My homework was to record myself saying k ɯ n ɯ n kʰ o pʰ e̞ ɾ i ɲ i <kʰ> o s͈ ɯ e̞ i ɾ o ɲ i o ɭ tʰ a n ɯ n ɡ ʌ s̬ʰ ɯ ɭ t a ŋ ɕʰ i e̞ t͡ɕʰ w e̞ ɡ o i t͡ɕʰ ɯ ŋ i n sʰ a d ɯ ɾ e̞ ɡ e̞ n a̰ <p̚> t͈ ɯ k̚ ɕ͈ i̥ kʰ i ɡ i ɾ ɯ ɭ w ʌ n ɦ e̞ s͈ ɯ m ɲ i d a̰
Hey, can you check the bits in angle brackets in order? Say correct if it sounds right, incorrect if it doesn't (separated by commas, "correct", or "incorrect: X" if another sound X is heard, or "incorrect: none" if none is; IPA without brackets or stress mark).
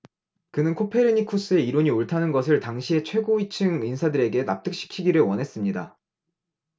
correct, correct